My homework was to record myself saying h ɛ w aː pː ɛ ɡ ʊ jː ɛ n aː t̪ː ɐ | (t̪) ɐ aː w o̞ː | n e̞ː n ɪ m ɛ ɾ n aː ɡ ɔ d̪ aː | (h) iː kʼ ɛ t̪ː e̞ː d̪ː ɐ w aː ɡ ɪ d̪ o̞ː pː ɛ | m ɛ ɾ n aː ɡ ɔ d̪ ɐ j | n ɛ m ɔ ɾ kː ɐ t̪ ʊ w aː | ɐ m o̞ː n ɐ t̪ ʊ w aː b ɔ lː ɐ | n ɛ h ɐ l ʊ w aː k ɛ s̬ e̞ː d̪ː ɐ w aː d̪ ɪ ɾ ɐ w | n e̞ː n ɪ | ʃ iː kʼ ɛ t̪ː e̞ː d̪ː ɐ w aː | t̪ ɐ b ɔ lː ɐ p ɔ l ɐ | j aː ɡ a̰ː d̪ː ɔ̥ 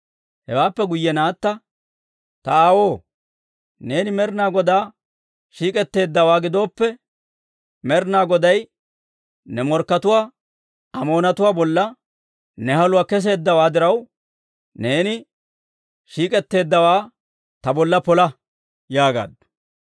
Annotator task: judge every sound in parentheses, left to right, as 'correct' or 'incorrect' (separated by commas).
correct, incorrect